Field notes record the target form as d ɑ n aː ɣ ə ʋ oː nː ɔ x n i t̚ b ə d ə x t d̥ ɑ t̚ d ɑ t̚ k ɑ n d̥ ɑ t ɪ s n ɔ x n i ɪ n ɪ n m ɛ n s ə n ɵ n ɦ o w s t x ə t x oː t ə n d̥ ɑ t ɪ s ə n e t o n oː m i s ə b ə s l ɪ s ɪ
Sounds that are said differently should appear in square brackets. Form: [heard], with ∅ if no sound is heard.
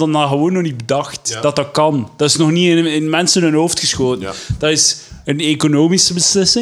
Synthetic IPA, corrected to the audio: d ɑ n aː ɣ ə ʋ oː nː ɔ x n i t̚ b ə d [ɑ] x t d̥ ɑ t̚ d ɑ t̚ k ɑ n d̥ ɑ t ɪ s n ɔ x n i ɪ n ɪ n m ɛ n s ə n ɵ n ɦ o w [f] t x ə [s] x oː t ə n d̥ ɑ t ɪ s ə n e [k] o n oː m i s ə b ə s l ɪ s ɪ